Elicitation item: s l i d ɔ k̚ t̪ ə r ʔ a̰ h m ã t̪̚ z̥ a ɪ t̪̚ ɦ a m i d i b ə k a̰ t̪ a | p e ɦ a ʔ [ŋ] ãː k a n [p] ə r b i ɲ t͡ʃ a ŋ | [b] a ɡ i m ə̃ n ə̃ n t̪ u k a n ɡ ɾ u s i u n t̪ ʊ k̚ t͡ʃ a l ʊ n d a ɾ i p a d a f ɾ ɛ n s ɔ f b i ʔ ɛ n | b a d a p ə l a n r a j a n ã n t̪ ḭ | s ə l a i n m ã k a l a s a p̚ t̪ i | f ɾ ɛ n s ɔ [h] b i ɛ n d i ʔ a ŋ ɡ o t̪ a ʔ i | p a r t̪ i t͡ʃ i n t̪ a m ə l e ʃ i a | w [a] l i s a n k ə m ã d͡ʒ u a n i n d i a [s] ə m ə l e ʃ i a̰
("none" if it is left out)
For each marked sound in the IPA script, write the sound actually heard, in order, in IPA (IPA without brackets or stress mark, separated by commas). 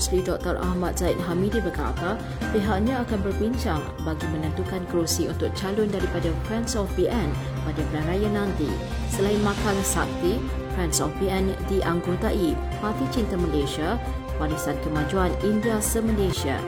ɲ, b, b, f, a, s